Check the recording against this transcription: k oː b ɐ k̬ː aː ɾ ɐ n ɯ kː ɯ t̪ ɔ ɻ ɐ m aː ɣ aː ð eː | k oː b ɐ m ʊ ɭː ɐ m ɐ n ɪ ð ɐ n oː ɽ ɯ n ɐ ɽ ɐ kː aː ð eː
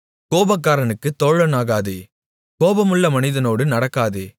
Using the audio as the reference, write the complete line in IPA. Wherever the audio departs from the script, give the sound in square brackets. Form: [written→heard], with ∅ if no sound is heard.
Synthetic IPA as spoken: k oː b ɐ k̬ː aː ɾ ɐ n ɯ kː ɯ t̪ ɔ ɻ ɐ [m→n] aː ɣ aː ð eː | k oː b ɐ m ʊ ɭː ɐ m ɐ n ɪ ð ɐ n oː ɽ ɯ n ɐ ɽ ɐ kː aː ð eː